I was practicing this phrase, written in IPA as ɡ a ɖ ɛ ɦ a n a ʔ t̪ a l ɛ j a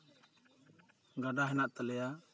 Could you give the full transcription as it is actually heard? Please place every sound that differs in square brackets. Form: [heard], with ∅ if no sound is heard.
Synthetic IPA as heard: ɡ a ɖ [a] ɦ [ɛ] n a ʔ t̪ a l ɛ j a